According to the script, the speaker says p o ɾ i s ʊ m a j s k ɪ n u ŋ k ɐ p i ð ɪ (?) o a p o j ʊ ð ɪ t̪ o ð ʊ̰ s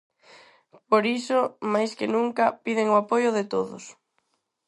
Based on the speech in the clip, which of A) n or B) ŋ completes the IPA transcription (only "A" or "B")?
B